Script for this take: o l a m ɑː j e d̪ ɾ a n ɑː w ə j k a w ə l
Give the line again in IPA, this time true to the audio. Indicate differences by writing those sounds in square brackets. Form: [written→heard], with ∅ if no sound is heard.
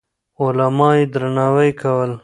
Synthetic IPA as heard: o l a m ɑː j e d̪ ɾ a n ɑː w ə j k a w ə l